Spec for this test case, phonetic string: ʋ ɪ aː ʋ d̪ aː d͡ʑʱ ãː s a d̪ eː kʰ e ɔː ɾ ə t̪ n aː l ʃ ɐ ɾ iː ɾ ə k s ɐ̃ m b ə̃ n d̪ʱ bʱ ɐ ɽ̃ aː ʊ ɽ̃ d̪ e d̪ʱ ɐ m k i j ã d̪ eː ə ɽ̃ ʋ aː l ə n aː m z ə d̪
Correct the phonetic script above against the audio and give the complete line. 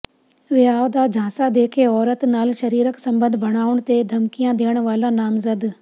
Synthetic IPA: ʋ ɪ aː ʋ d̪ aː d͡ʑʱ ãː s a d̪ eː kʰ e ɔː ɾ ə t̪ n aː l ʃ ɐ ɾ iː ɾ ə k s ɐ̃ m b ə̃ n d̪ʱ bʱ ɐ ɽ̃ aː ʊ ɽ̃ t̪ e d̪ʱ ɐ m k i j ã d̪ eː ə ɽ̃ ʋ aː l a n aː m z ə d̪